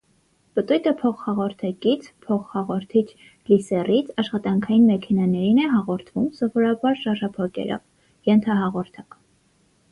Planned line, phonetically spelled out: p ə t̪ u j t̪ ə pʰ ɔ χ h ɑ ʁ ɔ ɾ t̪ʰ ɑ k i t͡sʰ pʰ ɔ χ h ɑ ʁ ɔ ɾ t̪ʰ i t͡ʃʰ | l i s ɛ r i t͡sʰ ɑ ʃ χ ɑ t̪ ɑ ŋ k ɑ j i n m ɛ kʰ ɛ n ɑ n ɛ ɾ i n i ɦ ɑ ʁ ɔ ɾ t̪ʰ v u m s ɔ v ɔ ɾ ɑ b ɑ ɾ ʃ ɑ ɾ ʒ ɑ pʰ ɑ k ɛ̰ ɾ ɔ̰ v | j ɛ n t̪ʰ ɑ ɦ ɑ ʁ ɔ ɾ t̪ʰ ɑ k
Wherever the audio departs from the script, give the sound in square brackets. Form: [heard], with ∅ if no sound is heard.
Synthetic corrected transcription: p ə t̪ u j t̪ ə pʰ ɔ χ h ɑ ʁ ɔ ɾ t̪ʰ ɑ k i t͡sʰ pʰ ɔ χ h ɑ ʁ ɔ ɾ t̪ʰ i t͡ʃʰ | l i s ɛ r i t͡sʰ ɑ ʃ χ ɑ t̪ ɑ ŋ [kʰ] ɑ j i n m ɛ kʰ ɛ n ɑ n ɛ ɾ i n [ɛ] ɦ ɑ ʁ ɔ ɾ t̪ʰ v u m s ɔ v ɔ ɾ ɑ b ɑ ɾ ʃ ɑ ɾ ʒ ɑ pʰ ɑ k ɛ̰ ɾ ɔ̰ v | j ɛ n t̪ʰ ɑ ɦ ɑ ʁ ɔ ɾ t̪ʰ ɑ k